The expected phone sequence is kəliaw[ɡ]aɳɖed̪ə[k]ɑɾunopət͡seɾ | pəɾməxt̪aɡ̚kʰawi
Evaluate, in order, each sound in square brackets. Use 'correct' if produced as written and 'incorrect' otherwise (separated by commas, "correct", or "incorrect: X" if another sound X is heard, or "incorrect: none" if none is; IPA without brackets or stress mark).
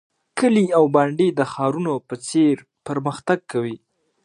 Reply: incorrect: b, incorrect: x